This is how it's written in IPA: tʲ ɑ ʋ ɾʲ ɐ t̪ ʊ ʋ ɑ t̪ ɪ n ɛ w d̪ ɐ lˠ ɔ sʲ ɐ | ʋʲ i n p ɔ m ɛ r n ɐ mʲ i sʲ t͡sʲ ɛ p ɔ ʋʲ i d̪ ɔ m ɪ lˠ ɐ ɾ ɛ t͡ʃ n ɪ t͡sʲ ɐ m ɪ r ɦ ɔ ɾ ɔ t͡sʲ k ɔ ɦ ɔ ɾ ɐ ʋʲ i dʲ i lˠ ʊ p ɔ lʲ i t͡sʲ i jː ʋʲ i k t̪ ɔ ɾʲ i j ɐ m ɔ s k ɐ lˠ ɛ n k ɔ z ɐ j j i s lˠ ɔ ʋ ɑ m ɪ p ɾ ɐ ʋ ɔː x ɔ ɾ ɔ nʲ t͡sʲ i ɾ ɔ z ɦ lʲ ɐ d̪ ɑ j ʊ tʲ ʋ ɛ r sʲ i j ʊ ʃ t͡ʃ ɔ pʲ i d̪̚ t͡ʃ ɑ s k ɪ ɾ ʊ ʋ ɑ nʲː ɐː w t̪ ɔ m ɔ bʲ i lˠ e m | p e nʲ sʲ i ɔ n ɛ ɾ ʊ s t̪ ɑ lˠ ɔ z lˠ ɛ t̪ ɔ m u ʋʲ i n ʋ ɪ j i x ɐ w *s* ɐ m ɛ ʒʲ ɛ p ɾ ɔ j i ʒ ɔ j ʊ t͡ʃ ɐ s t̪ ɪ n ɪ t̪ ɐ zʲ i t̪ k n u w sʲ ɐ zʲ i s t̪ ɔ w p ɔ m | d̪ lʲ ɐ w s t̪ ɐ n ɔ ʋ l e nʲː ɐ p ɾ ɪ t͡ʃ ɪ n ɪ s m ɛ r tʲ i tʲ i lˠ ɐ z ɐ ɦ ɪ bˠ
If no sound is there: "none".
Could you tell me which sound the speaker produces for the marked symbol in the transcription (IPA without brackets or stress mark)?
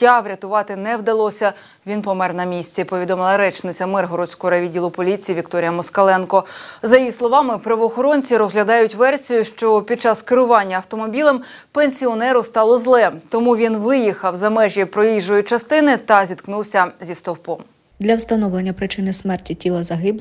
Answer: z